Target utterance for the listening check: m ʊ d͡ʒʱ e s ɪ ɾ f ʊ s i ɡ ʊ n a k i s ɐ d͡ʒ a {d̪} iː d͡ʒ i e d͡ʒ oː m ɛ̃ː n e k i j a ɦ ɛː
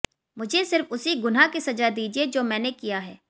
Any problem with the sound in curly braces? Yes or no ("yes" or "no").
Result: no